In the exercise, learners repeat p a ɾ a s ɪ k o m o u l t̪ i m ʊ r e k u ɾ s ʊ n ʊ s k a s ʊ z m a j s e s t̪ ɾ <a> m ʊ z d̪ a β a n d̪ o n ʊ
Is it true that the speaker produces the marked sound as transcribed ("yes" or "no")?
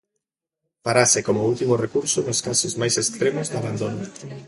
no